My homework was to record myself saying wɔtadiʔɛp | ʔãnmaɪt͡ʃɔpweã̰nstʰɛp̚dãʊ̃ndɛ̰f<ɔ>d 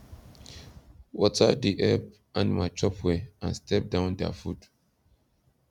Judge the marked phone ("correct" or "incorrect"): incorrect